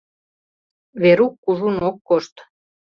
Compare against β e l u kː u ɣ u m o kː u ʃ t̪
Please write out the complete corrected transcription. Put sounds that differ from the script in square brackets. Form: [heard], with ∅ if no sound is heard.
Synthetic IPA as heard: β e [ɾ] u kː u [ʒ] u [n] o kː [o] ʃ t̪